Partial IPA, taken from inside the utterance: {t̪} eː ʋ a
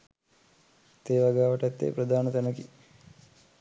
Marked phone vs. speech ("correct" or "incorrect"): correct